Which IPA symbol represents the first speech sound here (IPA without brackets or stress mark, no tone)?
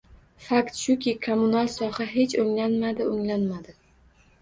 f